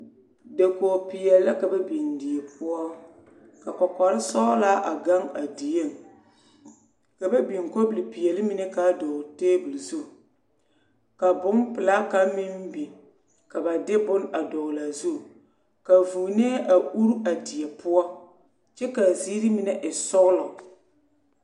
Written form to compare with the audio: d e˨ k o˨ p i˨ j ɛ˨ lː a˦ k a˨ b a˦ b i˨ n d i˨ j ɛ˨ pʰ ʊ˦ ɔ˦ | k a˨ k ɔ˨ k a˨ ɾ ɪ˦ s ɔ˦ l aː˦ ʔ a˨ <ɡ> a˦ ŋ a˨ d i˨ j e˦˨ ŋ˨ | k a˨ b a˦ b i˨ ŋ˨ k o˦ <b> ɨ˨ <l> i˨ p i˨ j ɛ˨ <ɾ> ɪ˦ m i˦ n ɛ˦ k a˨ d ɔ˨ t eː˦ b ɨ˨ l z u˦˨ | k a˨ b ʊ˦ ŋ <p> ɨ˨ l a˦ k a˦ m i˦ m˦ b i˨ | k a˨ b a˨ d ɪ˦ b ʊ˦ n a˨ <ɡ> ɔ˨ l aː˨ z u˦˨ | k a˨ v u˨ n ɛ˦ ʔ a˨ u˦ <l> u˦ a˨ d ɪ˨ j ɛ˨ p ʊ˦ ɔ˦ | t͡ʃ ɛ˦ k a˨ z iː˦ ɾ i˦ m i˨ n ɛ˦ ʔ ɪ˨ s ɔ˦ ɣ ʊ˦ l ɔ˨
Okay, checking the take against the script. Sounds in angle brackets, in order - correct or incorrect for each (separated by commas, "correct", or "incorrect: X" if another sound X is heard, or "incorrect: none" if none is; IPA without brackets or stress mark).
correct, correct, correct, incorrect: l, correct, incorrect: d, incorrect: ɾ